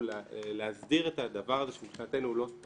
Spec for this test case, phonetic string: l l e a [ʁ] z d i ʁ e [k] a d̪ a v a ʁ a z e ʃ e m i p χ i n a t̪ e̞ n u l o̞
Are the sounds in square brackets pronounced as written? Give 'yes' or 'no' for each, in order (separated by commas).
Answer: no, no